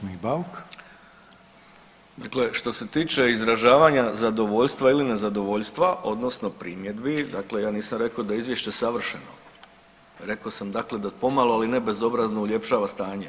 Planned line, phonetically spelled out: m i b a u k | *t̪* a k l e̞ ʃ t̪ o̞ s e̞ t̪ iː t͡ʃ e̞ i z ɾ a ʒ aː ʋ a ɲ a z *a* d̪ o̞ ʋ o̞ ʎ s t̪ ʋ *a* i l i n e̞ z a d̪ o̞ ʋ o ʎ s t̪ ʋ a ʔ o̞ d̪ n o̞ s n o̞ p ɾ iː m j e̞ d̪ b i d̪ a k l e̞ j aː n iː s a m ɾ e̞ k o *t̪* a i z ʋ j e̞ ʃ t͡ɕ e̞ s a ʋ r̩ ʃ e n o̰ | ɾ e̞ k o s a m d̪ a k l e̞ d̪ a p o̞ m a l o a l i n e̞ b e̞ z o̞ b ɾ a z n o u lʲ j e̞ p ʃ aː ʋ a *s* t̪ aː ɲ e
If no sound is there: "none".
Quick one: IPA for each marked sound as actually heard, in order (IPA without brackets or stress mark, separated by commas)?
d̪, a, a, d̪, s